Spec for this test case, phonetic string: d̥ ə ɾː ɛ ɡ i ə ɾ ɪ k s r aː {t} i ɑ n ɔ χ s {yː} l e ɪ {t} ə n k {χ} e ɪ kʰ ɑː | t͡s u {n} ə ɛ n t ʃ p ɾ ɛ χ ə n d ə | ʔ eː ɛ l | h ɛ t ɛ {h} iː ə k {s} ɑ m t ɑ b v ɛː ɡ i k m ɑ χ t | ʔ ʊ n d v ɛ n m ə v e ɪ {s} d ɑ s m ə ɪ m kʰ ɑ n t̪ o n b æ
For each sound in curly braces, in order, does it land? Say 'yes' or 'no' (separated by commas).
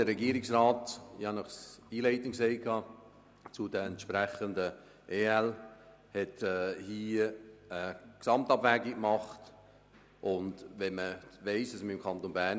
yes, no, yes, no, no, yes, yes, yes